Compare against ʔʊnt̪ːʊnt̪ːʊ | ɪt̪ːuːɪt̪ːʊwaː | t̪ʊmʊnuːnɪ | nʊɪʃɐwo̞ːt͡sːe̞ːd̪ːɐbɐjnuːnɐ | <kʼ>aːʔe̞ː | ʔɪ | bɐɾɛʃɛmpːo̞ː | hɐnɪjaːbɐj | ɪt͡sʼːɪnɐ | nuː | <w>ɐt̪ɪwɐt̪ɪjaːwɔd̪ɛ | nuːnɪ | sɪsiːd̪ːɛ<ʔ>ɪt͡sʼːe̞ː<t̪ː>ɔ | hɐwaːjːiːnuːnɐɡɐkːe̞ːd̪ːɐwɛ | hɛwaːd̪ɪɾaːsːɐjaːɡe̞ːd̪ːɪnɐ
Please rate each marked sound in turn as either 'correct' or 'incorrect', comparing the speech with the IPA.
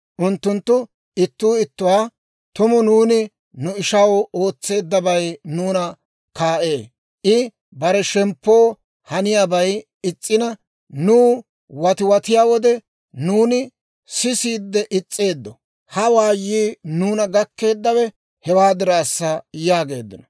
incorrect, correct, correct, incorrect

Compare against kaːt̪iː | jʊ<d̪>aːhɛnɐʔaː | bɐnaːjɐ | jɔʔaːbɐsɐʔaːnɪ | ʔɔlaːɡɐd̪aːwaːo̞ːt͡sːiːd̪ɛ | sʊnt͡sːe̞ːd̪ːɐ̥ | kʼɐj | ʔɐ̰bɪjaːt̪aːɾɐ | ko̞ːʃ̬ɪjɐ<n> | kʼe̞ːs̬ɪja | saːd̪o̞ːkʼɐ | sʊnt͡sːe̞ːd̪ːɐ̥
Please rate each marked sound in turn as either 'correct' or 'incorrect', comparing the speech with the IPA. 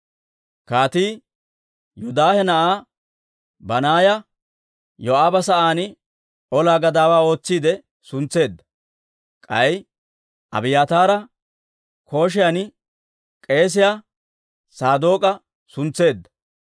correct, correct

